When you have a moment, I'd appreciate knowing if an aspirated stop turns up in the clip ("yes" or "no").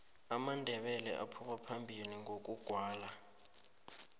yes